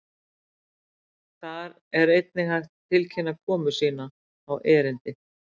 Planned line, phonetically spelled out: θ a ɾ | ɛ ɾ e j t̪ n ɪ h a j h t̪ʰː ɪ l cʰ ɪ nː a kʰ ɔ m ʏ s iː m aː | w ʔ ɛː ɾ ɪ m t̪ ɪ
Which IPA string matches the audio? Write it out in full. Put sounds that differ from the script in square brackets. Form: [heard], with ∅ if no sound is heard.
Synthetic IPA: θ a ɾ | ɛ ɾ e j t̪ n ɪ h a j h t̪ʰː ɪ l cʰ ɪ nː a kʰ [ɔː] m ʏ s iː [n] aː | w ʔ ɛː ɾ ɪ [n] t̪ ɪ